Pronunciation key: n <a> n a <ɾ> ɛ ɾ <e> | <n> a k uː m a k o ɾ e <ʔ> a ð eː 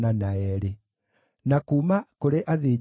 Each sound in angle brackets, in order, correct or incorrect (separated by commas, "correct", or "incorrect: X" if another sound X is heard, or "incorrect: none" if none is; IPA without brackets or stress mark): correct, incorrect: none, correct, correct, correct